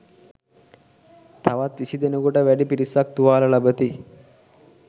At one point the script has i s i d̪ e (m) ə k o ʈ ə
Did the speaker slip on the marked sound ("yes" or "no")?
yes